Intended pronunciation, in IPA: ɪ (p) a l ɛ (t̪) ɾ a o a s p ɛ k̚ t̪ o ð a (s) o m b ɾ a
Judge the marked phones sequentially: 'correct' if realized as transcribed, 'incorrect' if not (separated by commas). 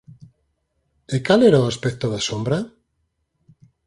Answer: incorrect, incorrect, correct